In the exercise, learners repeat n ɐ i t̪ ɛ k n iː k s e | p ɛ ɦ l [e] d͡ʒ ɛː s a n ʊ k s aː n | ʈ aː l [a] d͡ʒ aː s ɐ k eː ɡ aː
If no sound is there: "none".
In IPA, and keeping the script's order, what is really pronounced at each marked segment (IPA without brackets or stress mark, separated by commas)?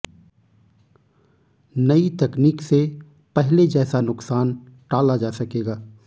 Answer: e, a